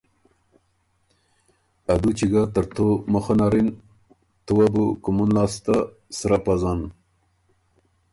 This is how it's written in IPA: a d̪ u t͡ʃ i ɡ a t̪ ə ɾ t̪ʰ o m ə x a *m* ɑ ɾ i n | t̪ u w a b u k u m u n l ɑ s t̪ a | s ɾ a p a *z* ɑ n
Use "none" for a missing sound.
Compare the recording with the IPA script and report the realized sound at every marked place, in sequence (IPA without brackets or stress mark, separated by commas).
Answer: n, z